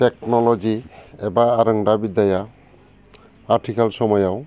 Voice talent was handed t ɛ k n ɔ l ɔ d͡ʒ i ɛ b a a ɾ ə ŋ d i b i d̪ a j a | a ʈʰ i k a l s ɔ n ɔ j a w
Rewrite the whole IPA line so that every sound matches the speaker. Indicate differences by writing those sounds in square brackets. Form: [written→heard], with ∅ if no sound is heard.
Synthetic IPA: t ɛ k n ɔ l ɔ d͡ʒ i ɛ b a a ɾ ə ŋ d [i→a] b i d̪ a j a | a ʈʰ i k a l s ɔ [n→m] ɔ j a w